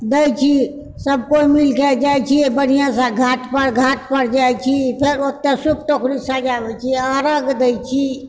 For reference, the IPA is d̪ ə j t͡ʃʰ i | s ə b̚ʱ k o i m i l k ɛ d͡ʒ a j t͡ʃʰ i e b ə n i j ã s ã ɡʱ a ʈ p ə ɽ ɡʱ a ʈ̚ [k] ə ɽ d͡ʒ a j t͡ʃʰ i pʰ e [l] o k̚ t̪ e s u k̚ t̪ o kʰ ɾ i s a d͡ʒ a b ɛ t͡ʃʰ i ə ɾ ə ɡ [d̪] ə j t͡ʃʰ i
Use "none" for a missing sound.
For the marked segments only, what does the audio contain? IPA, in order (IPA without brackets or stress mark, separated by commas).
p, ɾ, d̪